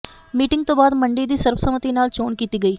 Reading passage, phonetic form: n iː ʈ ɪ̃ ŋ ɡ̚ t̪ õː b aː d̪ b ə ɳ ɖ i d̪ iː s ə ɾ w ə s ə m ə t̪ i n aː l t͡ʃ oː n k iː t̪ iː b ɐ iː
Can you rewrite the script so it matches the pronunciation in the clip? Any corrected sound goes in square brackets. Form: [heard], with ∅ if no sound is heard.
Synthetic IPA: [m] iː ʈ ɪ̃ ŋ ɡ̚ t̪ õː b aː d̪ [m] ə ɳ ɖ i d̪ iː s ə ɾ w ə s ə m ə t̪ i n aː l t͡ʃ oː n k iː t̪ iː [ɡ] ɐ iː